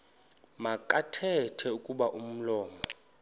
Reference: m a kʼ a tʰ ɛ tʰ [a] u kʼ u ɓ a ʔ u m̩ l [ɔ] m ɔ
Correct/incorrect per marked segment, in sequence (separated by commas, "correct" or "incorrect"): incorrect, incorrect